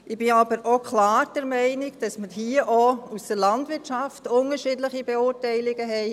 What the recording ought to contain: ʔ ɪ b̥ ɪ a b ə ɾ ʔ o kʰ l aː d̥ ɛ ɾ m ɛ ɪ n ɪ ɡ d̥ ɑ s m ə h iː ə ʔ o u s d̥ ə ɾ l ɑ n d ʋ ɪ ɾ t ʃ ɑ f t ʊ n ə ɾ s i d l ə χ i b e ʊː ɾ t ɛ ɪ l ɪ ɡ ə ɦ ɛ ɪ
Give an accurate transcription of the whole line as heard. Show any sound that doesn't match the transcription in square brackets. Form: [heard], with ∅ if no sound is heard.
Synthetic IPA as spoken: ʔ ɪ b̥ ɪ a b ə ɾ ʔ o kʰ l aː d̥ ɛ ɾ m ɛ ɪ n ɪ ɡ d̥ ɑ s m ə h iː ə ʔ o u s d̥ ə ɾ l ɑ n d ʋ ɪ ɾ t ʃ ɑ f t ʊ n ə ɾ [ʃ] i d l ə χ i b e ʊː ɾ t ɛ ɪ l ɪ ɡ ə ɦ ɛ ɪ